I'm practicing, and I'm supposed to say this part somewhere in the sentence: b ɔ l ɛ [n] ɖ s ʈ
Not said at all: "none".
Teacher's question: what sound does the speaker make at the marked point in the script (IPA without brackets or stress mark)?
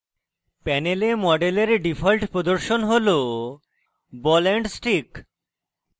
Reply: ɳ